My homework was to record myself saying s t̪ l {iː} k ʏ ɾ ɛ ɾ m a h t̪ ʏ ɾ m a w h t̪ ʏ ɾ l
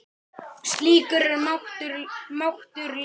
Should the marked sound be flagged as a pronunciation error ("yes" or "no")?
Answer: no